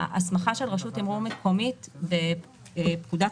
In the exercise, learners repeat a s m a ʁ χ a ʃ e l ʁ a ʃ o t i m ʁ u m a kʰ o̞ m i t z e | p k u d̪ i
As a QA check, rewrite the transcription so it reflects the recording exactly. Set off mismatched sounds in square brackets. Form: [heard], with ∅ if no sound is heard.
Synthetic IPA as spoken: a s m a [∅] χ a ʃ e l ʁ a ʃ [u] t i m ʁ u m [e] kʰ o̞ m i t [v] e | p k u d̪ [a]